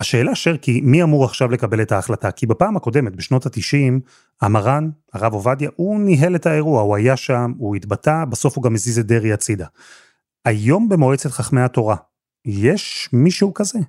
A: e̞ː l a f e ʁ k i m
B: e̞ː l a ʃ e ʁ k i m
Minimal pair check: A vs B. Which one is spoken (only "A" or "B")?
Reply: B